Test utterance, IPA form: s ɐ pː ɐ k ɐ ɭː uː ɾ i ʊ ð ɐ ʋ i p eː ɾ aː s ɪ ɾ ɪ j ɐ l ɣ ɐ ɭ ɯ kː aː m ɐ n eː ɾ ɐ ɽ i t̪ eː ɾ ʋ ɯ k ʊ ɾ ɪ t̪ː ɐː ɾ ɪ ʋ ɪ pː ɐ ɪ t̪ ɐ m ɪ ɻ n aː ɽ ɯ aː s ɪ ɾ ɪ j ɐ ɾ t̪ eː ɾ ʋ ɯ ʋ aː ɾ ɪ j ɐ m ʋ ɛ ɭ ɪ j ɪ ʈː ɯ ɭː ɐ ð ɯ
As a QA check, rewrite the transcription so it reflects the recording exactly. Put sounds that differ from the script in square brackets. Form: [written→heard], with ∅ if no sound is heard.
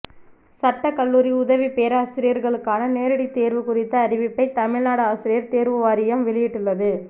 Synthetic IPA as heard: s ɐ [pː→ʈː] ɐ k ɐ ɭː uː ɾ i ʊ ð ɐ ʋ i p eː ɾ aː s ɪ ɾ ɪ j ɐ [l→ɾ] ɣ ɐ ɭ ɯ kː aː [m→n] ɐ n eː ɾ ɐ ɽ i t̪ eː ɾ ʋ ɯ k ʊ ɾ ɪ t̪ː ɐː ɾ ɪ ʋ ɪ pː ɐ ɪ t̪ ɐ m ɪ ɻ n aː ɽ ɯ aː s ɪ ɾ ɪ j ɐ ɾ t̪ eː ɾ ʋ ɯ ʋ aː ɾ ɪ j ɐ m ʋ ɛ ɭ ɪ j ɪ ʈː ɯ ɭː ɐ ð ɯ